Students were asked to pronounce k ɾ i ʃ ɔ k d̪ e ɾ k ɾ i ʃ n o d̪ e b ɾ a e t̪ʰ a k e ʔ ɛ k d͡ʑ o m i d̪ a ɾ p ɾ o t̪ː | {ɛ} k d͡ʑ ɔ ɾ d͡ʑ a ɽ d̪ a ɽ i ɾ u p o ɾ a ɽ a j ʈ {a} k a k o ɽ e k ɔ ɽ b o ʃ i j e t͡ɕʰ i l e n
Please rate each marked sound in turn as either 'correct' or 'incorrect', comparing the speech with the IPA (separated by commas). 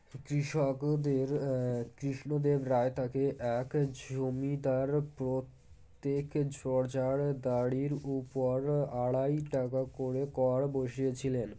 incorrect, correct